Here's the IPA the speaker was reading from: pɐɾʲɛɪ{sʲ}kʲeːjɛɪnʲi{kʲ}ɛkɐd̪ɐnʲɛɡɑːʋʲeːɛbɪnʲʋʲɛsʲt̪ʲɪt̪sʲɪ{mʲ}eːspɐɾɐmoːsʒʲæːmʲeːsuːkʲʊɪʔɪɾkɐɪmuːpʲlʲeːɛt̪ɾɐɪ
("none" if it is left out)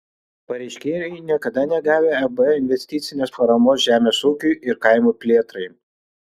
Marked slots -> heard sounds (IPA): ʃʲ, none, nʲ

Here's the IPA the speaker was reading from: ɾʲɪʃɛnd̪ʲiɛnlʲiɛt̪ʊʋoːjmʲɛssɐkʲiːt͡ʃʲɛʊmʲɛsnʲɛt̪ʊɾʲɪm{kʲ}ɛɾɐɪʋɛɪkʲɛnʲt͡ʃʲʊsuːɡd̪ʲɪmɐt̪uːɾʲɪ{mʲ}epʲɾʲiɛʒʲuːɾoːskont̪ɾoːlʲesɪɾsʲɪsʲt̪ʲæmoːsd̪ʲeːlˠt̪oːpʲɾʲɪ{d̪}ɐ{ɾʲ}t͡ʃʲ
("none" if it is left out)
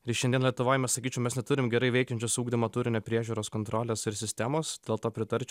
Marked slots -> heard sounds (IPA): ɡʲ, nʲ, t̪, ɾʲ

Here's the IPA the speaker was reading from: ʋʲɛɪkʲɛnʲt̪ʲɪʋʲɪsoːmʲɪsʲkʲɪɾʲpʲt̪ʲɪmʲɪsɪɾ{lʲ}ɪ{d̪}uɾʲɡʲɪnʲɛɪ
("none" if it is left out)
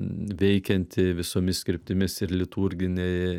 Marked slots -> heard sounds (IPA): lʲ, t̪

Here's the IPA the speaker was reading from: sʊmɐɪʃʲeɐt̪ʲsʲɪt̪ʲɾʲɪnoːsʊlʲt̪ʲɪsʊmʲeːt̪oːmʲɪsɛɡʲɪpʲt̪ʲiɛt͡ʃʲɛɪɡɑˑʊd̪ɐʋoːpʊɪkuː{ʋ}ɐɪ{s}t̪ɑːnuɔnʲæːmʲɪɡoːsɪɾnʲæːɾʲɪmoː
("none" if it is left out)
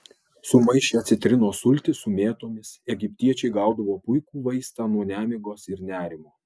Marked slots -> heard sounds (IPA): ʋ, s

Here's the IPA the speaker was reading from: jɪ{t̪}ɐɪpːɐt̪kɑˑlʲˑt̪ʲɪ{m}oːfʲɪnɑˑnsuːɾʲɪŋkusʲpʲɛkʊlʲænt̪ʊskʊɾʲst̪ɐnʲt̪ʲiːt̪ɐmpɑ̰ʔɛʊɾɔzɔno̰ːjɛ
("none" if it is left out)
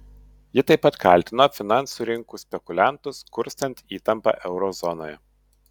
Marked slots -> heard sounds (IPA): t̪, n

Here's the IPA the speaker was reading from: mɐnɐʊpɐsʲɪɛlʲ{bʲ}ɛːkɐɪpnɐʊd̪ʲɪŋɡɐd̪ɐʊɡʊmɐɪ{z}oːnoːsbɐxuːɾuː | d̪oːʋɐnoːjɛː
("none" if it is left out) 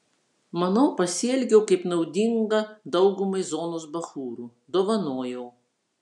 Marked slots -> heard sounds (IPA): ɡʲ, z

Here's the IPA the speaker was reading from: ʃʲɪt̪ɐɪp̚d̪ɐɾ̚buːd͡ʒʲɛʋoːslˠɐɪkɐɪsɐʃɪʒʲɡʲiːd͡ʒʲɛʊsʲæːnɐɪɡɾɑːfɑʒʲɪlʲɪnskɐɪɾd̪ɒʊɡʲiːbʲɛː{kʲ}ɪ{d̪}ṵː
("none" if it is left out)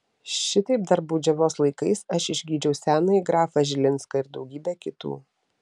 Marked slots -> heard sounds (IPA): kʲ, t̪

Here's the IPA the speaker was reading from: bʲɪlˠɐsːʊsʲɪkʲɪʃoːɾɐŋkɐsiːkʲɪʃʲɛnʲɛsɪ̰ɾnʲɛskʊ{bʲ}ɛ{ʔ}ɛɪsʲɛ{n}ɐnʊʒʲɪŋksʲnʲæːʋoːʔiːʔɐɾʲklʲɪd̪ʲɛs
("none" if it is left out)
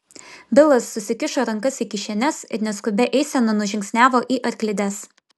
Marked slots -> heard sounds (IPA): bʲ, ʔ, n

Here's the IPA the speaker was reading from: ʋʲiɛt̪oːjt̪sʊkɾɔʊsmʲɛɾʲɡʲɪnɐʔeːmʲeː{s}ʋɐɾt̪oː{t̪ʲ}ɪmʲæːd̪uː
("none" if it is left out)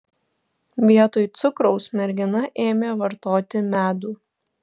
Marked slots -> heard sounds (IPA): none, t̪ʲ

